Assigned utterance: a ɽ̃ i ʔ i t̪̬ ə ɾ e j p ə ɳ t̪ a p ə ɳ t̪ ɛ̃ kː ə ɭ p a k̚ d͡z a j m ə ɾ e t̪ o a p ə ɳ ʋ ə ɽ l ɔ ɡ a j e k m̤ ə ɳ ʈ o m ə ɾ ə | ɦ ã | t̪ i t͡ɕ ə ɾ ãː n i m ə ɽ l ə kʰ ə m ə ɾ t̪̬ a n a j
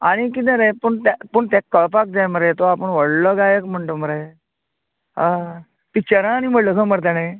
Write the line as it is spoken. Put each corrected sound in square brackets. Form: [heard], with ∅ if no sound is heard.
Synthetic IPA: a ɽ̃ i [k] i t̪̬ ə ɾ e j p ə ɳ t̪ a p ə ɳ t̪ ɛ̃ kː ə ɭ p a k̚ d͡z a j m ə ɾ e t̪ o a p ə ɳ ʋ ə ɽ l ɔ ɡ a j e k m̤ ə ɳ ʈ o m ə ɾ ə | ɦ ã | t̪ i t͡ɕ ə ɾ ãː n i m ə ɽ l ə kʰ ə m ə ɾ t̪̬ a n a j